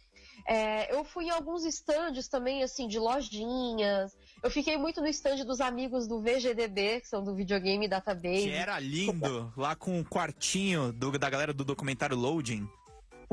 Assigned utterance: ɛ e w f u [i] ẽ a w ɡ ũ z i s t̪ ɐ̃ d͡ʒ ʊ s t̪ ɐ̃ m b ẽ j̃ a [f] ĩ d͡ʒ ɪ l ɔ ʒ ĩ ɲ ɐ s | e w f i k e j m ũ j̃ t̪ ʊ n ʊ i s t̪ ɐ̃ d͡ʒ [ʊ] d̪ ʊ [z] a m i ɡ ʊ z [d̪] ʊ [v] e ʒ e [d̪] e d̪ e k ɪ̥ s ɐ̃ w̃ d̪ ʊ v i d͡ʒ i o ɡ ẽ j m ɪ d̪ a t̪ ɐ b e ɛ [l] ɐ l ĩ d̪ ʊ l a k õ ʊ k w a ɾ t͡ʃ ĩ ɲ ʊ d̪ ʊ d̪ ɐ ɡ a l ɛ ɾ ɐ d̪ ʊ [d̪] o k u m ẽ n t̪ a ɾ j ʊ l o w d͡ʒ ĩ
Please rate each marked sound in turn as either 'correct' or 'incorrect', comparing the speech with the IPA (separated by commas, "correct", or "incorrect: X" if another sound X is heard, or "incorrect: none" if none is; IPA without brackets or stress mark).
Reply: incorrect: j, incorrect: s, correct, correct, correct, correct, correct, incorrect: ɾ, correct